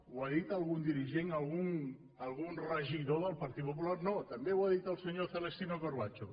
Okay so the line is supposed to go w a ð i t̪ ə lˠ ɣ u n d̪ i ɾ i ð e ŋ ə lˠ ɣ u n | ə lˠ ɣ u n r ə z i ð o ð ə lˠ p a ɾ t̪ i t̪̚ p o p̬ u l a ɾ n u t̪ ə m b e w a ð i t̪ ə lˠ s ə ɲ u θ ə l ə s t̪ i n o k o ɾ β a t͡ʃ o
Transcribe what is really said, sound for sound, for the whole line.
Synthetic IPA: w a ð i t̪ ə lˠ ɣ u n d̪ i ɾ i ʒ e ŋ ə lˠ ɣ u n | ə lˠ ɣ u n r ə ʒ i ð o ð ə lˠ p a ɾ t̪ i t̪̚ p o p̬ u l a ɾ n o t̪ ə m b e w a ð i t̪ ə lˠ s ə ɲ o θ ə l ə s t̪ i n o k o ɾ β a t͡ʃ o